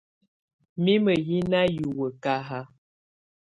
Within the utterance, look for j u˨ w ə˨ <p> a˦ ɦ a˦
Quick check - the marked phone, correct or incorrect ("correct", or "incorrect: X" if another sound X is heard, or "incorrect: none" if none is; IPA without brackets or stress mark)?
incorrect: k